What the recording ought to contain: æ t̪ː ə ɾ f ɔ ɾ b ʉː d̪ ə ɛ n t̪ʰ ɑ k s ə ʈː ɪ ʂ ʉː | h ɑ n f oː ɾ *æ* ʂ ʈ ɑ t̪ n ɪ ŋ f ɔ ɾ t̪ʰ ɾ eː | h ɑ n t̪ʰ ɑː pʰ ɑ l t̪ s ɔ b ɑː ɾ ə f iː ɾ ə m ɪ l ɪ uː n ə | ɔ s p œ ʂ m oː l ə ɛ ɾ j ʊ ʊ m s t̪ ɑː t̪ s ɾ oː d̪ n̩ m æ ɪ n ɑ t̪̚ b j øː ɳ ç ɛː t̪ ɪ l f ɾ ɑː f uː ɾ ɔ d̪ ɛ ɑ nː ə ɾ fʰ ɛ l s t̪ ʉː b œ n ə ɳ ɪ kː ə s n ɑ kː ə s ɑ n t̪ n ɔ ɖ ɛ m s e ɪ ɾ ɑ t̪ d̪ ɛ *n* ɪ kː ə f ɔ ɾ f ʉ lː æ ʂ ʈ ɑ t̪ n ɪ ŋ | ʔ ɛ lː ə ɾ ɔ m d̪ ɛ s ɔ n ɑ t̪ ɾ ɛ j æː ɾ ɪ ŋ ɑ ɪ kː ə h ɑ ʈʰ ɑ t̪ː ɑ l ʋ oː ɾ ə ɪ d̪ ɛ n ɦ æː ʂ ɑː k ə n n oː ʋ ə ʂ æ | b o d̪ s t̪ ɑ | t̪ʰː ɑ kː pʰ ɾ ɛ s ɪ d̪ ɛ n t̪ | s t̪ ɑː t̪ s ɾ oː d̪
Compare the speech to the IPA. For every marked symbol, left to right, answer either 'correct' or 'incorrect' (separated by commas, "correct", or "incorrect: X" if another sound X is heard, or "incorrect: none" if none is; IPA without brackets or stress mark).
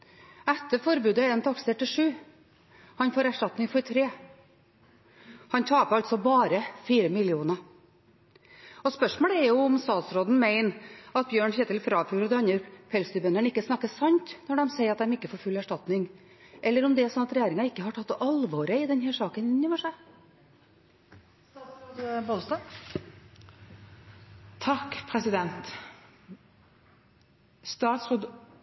correct, incorrect: m